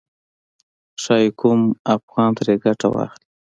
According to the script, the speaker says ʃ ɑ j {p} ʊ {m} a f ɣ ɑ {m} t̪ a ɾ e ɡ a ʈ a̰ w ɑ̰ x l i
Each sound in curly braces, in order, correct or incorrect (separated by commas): incorrect, correct, incorrect